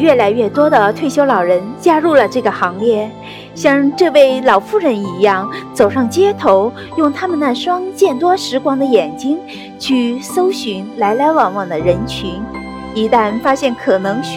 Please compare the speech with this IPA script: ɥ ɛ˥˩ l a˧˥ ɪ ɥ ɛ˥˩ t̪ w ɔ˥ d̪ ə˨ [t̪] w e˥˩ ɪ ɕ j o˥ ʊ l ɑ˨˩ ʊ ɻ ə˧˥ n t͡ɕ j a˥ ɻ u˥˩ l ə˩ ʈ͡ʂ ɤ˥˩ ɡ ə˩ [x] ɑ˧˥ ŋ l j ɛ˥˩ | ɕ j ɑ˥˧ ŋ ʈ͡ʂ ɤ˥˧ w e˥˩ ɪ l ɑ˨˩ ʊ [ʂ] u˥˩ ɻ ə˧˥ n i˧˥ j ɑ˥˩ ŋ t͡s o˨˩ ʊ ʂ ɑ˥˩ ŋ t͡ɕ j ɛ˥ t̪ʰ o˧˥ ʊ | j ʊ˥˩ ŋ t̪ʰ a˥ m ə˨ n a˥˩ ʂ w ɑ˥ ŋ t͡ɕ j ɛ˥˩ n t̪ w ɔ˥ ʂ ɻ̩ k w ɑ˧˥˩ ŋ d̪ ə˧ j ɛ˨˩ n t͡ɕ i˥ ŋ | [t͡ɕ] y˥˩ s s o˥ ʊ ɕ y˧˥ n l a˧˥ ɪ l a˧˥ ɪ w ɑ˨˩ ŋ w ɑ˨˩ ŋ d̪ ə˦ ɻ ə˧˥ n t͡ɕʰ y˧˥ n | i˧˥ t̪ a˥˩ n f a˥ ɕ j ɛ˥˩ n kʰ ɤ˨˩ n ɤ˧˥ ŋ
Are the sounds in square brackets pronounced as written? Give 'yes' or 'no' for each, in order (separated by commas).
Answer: no, yes, no, no